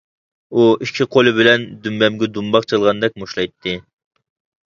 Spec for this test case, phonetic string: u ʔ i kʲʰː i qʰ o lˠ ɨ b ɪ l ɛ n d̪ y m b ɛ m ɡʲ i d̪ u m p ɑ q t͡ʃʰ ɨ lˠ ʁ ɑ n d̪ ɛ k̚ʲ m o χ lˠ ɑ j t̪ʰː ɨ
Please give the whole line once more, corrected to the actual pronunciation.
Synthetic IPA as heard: u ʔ i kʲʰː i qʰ o lˠ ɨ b ɪ l ɛ n d̪ y m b ɛ m ɡʲ ɛ d̪ u m b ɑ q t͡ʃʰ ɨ lˠ ʁ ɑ n d̪ ɛ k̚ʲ m o ʃ lˠ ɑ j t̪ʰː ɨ